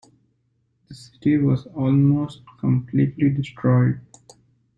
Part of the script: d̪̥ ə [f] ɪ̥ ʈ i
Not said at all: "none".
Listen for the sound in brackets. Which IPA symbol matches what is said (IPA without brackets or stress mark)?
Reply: s